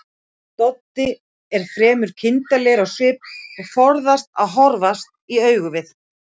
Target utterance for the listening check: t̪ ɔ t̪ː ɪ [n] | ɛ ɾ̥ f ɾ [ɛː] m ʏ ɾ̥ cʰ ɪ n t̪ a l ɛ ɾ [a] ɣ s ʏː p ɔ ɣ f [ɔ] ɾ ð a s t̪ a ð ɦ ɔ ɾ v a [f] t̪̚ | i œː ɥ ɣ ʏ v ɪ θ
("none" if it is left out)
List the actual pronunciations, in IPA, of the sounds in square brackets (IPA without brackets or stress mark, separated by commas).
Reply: none, ɛː, a, ɔ, s